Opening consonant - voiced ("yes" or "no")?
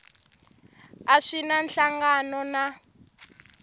no